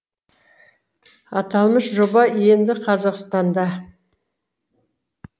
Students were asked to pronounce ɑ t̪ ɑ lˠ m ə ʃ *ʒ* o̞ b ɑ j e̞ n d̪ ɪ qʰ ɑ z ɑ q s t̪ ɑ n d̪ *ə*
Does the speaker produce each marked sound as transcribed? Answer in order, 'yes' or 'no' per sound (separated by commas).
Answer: yes, no